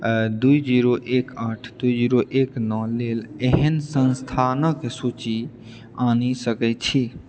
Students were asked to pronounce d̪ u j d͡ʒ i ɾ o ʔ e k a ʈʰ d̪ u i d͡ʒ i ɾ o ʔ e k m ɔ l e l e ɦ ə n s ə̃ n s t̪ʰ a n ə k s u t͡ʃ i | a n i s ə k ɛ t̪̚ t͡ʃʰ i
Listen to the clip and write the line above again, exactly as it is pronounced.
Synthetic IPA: d̪ u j d͡ʒ i ɾ o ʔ e k a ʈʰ d̪ u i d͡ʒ i ɾ o ʔ e k n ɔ l e l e ɦ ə n s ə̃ n s t̪ʰ a n ə k s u t͡ʃ i | a n i s ə k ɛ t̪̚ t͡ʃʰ i